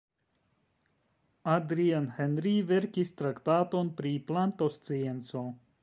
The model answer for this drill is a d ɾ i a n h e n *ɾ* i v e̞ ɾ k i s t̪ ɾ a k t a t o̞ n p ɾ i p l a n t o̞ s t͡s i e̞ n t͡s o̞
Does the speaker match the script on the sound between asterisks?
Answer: yes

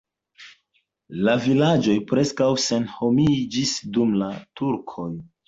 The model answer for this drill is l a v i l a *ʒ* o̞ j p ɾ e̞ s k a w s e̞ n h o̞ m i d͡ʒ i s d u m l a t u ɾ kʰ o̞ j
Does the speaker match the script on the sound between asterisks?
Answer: no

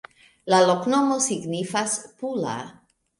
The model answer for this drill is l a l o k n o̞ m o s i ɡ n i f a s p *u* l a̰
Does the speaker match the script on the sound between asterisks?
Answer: yes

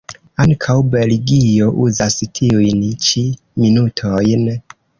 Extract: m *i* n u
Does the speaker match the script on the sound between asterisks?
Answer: yes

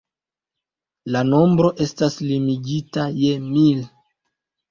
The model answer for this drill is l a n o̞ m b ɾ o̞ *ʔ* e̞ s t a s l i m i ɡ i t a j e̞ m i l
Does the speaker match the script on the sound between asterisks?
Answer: yes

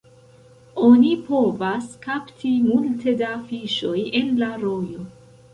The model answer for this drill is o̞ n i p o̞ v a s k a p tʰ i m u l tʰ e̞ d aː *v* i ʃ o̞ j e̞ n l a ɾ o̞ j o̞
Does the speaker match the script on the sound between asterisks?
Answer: no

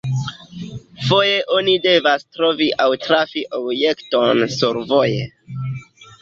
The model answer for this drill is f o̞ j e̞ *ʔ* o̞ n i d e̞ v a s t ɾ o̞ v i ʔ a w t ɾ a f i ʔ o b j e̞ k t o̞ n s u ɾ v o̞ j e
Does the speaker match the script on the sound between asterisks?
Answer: yes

